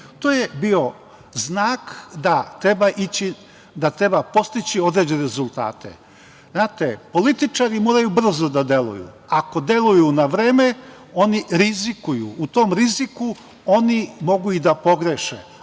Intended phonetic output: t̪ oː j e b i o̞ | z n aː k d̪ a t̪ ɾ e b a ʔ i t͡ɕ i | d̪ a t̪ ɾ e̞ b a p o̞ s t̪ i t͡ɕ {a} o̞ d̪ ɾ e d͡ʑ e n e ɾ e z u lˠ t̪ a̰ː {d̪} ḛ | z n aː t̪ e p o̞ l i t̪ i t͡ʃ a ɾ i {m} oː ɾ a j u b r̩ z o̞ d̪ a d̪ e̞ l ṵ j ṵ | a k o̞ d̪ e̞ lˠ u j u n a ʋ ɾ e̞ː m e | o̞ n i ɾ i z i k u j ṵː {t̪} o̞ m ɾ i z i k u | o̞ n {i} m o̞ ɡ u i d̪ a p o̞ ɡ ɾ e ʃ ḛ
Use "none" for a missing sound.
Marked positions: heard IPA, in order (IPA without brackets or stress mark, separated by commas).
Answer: i, t̪, m, t̪, i